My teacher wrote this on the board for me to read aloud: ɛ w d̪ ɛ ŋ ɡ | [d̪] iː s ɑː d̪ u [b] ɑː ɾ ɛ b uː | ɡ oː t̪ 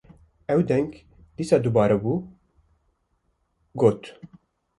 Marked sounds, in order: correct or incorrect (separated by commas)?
correct, correct